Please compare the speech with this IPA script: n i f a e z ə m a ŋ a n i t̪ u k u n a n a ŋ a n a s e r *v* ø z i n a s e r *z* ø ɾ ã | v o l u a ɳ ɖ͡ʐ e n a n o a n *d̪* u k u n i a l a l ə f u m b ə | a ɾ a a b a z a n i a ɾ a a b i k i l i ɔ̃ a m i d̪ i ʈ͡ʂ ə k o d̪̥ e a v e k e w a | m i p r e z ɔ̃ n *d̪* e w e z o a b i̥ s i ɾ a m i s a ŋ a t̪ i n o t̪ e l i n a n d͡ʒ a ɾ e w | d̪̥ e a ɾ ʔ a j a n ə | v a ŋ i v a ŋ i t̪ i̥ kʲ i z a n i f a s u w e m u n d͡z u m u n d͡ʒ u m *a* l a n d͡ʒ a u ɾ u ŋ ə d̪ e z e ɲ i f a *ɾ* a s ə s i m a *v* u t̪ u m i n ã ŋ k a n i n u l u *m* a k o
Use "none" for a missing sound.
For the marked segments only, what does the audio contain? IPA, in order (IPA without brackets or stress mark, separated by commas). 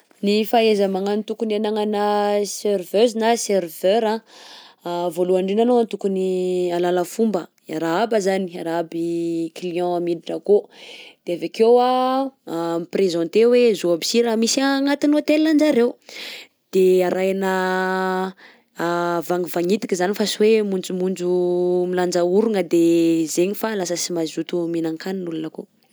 v, v, t̪, t̪, i, l, z, n